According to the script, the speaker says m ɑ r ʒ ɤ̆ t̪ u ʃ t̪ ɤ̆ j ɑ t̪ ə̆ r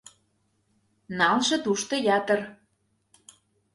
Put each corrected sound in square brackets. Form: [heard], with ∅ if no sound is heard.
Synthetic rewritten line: [n] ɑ [l] ʒ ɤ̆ t̪ u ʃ t̪ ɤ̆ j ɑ t̪ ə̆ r